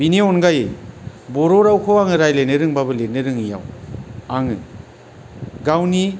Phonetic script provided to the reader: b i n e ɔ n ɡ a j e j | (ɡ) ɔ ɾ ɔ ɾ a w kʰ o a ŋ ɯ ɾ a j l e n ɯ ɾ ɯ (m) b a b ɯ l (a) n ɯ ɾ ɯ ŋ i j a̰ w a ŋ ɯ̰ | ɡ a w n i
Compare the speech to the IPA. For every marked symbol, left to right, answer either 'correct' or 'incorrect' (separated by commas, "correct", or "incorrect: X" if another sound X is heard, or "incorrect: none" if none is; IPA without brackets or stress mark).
incorrect: b, incorrect: ŋ, incorrect: e